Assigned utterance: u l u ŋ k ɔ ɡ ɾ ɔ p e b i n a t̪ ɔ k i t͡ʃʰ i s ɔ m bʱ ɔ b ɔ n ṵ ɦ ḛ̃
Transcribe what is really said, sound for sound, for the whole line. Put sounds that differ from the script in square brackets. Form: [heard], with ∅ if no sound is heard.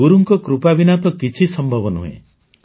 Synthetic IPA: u [ɾ] u ŋ k ɔ [k] ɾ [u] p [a] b i n a t̪ ɔ k i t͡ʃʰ i s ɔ m bʱ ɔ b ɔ n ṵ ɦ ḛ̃